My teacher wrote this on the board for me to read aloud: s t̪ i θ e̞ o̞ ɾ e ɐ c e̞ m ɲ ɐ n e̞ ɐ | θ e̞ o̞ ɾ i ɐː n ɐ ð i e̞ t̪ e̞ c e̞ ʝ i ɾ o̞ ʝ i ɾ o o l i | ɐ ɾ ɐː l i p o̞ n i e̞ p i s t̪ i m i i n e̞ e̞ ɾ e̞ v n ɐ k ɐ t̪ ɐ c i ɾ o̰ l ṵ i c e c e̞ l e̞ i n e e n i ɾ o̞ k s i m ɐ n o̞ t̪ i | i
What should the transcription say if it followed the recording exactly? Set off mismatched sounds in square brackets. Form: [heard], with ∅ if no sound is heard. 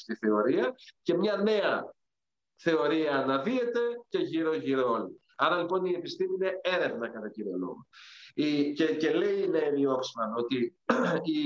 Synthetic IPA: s t̪ i θ e̞ o̞ ɾ [i] ɐ c e̞ m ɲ ɐ n e̞ ɐ | θ e̞ o̞ ɾ i ɐː n ɐ ð i e̞ t̪ e̞ c e̞ ʝ i ɾ o̞ ʝ i ɾ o o l i | ɐ ɾ [ɐ] l i p o̞ n i e̞ p i s t̪ i m i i n e̞ e̞ ɾ e̞ v n ɐ k ɐ t̪ ɐ c i ɾ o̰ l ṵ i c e c e̞ l e̞ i n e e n i [∅] o̞ k s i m ɐ n o̞ t̪ i | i